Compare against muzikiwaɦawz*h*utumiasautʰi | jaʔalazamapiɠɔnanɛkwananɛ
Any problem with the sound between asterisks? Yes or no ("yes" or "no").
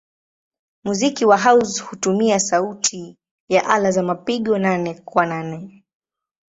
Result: no